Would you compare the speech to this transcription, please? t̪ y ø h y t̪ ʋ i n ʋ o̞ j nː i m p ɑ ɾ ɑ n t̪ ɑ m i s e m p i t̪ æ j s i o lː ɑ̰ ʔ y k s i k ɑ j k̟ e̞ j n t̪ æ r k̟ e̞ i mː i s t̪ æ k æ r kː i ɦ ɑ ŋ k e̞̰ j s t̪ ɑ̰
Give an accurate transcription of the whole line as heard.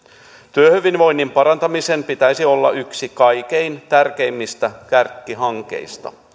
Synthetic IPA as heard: t̪ y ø h y ʋ i n ʋ o̞ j nː i m p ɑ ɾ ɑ n t̪ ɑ m i s e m p i t̪ æ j s i o lː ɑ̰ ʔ y k s i k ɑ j k̟ e̞ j n t̪ æ r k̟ e̞ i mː i s t̪ æ k æ r kː i ɦ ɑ ŋ k e̞̰ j s t̪ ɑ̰